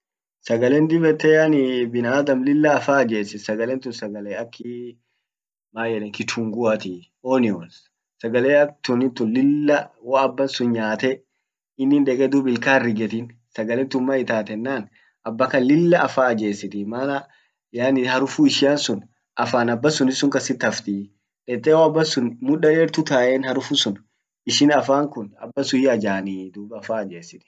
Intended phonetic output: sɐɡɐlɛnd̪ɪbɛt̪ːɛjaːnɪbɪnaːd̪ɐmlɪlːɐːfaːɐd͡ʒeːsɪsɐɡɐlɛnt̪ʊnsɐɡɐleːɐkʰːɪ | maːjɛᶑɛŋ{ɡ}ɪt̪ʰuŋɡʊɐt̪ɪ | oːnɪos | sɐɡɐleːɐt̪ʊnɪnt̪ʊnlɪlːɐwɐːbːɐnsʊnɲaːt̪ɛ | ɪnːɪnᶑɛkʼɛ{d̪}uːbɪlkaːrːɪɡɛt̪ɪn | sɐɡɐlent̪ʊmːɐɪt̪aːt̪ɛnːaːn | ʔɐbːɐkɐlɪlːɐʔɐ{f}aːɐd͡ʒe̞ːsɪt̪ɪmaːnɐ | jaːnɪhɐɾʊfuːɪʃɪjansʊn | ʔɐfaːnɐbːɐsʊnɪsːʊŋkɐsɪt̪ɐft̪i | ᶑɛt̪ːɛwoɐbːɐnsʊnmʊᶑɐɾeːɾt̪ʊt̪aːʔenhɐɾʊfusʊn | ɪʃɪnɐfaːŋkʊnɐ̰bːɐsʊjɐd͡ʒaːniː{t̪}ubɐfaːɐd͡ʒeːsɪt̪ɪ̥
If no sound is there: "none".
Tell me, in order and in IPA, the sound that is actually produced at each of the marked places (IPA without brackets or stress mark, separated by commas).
k, d̪, f, d̪